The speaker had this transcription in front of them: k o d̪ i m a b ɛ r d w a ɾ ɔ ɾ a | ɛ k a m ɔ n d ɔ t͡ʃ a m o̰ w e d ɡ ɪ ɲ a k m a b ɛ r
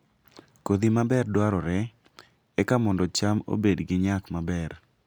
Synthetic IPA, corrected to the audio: k o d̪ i m a b ɛ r d w a ɾ ɔ ɾ ɛ | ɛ k a m ɔ n d ɔ t͡ʃ a m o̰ b e d ɡ ɪ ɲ a k m a b ɛ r